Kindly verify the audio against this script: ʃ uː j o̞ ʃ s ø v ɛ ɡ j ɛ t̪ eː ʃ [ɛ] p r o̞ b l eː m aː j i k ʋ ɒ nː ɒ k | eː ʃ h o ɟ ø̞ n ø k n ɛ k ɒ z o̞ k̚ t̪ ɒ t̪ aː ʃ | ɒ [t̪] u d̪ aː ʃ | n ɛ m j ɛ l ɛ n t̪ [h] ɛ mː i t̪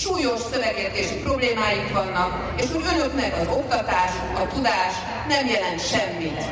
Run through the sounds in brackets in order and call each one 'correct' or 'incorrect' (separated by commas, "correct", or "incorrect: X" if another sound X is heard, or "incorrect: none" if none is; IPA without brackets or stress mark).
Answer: incorrect: i, correct, incorrect: ʃ